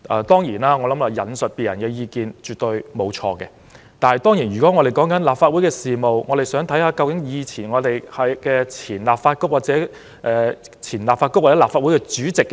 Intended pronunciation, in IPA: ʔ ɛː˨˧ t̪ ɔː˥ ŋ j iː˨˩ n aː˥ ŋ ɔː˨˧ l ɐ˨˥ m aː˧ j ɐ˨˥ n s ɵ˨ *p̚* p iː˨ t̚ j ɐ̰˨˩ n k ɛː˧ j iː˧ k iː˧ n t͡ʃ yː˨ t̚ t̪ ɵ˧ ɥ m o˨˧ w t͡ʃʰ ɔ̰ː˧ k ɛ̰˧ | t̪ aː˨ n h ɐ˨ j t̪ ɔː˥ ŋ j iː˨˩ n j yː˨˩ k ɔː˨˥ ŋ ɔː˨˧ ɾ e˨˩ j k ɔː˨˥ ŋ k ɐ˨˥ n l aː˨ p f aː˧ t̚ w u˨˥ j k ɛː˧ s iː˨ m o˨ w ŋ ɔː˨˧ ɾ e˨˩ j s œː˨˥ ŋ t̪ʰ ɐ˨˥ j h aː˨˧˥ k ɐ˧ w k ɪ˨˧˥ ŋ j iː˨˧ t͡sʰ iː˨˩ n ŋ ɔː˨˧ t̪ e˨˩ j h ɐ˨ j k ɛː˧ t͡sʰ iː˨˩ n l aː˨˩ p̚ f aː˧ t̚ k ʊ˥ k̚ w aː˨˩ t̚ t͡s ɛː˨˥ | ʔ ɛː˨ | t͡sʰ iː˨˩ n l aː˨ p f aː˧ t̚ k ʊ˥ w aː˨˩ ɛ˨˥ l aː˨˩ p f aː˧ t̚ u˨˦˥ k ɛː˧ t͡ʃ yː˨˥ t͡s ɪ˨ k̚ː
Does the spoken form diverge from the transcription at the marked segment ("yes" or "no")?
yes